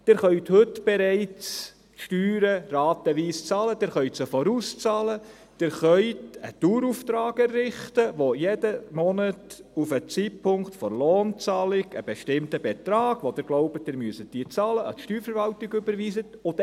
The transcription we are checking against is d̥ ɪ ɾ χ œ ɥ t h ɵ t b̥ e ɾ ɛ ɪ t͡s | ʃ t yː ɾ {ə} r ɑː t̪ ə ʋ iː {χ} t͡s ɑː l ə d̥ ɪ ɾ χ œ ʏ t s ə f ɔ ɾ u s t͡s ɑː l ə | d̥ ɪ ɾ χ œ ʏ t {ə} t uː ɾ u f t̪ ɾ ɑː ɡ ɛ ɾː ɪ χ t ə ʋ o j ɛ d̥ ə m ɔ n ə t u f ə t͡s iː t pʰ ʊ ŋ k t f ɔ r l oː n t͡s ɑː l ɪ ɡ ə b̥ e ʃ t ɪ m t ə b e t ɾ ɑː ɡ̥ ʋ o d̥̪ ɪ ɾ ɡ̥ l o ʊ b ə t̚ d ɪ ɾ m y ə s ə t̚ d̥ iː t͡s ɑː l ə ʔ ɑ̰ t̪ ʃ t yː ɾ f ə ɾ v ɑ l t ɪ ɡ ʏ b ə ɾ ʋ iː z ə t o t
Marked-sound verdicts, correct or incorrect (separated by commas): correct, incorrect, correct